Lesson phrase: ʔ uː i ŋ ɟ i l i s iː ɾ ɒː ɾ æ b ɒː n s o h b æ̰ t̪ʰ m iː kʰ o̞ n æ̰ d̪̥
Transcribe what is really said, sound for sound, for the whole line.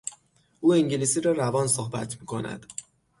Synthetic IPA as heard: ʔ uː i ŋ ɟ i l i s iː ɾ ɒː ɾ æ v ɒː n s o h b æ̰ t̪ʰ m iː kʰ o̞ n æ̰ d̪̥